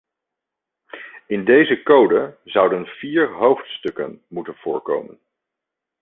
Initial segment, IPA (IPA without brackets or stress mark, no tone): ɪ